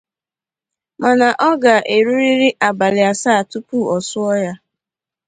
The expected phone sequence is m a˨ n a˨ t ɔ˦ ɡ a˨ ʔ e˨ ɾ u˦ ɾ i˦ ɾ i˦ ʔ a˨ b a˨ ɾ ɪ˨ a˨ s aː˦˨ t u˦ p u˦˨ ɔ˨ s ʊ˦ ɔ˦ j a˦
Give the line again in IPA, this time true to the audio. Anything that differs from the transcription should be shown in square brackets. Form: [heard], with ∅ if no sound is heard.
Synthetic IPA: m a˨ n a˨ [ʔ] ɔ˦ ɡ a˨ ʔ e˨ ɾ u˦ ɾ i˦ ɾ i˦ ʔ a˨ b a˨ [l] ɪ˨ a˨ s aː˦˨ t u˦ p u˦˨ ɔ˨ s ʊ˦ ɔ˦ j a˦